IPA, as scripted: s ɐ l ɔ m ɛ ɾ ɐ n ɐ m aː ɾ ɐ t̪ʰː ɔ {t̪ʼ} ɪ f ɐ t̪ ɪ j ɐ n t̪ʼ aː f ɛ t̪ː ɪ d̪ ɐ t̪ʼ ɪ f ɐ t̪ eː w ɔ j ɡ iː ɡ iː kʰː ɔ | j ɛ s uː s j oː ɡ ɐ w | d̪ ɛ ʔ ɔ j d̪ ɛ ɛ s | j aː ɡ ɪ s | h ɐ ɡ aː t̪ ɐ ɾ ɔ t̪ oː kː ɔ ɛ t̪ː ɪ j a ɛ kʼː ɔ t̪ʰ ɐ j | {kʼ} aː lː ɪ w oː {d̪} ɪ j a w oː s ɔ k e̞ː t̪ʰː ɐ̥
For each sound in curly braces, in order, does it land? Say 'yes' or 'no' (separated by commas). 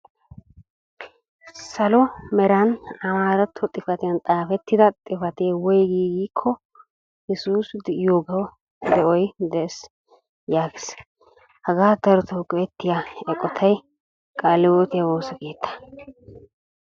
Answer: yes, yes, no